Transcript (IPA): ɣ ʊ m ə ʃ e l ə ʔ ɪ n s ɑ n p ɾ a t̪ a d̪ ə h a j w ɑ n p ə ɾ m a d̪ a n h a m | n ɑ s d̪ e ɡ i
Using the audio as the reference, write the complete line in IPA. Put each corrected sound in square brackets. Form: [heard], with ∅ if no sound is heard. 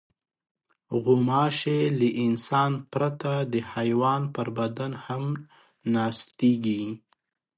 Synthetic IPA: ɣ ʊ m [ɑ] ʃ e l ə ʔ ɪ n s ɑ n p ɾ a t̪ a d̪ ə h a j w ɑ n p ə ɾ [b] a d̪ a n h a m | n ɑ s [t̪] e ɡ i